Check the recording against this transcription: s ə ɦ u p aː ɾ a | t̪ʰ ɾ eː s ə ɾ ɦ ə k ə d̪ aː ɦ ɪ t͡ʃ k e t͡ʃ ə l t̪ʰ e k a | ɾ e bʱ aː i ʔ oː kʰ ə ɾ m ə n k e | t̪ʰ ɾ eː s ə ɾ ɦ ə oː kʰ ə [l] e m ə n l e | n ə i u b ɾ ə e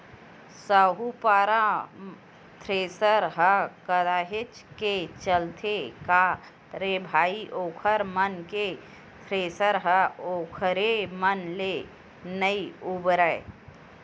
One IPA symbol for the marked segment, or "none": ɾ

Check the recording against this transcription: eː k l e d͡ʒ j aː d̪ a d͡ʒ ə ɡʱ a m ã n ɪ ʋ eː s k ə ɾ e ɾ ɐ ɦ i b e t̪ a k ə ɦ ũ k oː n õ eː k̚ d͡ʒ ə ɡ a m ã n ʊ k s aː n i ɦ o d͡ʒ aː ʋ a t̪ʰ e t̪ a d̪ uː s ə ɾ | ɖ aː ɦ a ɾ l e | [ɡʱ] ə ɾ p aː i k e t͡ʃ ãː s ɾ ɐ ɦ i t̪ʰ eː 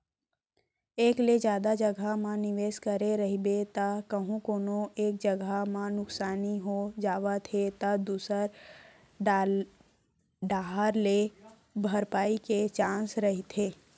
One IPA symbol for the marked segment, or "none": bʱ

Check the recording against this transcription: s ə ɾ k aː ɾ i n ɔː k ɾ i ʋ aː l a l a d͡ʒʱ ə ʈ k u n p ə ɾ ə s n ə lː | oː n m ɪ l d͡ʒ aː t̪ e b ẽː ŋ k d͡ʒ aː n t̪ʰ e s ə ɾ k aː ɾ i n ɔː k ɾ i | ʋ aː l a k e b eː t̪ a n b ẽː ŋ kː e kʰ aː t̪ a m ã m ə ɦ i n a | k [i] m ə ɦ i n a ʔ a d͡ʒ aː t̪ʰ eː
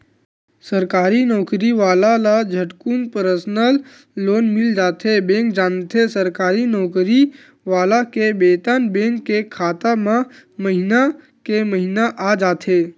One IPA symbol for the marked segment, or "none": e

